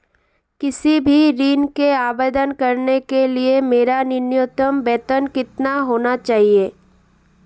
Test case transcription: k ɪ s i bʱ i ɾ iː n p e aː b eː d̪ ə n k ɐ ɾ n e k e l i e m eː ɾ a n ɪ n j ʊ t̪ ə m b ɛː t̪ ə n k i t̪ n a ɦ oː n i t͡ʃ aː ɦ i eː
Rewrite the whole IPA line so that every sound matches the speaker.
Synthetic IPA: k ɪ s i bʱ i ɾ iː n k e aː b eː d̪ ə n k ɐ ɾ n e k e l i e m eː ɾ a n ɪ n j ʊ t̪ ə m b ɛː t̪ ə n k ɪ t̪ n a ɦ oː n a t͡ʃ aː ɦ i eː